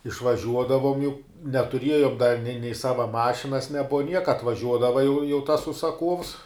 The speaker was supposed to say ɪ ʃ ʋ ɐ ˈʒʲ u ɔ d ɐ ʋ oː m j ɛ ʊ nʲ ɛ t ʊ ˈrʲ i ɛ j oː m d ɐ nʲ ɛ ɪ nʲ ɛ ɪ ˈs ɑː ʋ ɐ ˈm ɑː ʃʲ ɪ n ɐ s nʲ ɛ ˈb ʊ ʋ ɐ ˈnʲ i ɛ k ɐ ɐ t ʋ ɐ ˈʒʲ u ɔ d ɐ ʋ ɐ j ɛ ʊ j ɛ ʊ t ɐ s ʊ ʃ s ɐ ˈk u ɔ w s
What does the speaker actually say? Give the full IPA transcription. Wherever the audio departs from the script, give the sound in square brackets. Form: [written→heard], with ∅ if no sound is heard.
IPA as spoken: ɪ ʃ ʋ ɐ ˈʒʲ u ɔ d ɐ ʋ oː m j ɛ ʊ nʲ ɛ t ʊ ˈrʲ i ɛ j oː m d ɐ nʲ ɛ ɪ nʲ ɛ ɪ ˈs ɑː ʋ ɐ ˈm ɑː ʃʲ ɪ n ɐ s nʲ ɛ ˈb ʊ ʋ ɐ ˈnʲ i ɛ k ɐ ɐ t ʋ ɐ ˈʒʲ u ɔ d ɐ ʋ ɐ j ɛ ʊ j ɛ ʊ t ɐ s ʊ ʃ s ɐ ˈk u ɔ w s